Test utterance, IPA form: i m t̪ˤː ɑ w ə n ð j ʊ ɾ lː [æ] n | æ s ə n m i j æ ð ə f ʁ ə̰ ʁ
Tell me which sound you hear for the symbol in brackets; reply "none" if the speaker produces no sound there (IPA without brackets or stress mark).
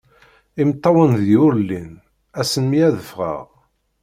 i